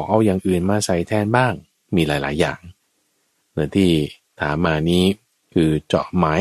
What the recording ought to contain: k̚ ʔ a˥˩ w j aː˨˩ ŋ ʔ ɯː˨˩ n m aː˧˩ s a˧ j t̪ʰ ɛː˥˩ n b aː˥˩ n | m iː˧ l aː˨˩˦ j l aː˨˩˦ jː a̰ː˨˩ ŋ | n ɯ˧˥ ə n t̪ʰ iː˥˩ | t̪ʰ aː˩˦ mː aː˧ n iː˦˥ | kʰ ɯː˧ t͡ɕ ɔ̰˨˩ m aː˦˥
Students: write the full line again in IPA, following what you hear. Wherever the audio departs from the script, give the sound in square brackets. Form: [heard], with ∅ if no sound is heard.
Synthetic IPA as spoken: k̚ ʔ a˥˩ w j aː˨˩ ŋ ʔ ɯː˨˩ n m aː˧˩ s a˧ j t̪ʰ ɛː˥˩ n b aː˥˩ [ŋ] | m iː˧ l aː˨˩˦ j l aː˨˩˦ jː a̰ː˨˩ ŋ | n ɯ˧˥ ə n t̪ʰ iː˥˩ | t̪ʰ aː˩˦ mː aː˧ n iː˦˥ | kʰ ɯː˧ t͡ɕ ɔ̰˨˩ m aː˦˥